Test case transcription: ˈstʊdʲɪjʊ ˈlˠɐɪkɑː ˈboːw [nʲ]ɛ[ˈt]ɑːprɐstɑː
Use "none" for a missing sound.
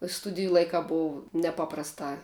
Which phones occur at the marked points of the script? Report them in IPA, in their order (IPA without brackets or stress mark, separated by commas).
nʲ, p